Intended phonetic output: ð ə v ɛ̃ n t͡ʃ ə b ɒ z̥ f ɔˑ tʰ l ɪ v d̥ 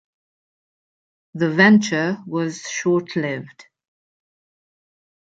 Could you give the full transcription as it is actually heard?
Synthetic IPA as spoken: ð ə v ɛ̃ n t͡ʃ ə w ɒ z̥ ʃ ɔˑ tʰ l ɪ v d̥

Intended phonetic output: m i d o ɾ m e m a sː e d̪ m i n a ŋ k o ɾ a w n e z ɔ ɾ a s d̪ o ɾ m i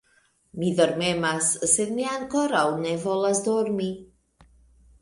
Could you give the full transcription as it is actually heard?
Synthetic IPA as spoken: m i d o ɾ m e m a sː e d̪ m i a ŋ k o ɾ a w n e v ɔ l a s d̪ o ɾ m i

